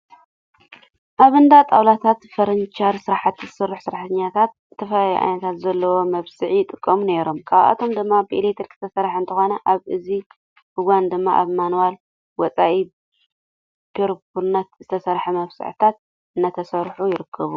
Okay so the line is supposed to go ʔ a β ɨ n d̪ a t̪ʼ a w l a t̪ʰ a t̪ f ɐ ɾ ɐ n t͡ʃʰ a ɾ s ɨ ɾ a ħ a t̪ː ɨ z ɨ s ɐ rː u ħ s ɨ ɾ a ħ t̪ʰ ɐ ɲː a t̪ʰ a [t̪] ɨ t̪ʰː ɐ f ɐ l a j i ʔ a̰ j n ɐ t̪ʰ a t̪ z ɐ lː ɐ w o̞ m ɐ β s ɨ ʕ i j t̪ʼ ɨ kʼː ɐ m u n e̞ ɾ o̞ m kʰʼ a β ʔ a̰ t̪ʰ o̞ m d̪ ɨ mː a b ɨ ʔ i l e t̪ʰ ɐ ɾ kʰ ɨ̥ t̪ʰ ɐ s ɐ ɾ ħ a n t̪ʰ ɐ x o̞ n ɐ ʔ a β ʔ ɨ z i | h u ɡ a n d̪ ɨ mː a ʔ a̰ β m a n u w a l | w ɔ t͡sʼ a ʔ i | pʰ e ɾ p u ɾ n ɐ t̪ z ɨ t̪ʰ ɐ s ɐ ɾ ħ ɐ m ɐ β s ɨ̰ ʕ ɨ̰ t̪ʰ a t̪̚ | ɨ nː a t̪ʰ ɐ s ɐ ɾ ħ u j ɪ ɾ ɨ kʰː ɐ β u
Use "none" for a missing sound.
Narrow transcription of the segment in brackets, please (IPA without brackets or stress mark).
t̪